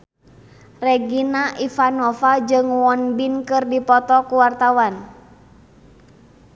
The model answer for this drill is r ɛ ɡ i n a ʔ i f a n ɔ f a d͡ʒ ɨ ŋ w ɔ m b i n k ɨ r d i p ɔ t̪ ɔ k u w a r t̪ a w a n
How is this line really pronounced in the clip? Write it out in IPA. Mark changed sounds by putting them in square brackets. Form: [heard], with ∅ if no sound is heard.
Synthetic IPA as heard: r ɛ ɡ i n a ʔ i f a n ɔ f a d͡ʒ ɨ ŋ w ɔ [n] b i n k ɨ r d i p ɔ t̪ ɔ k u w a r t̪ a w a n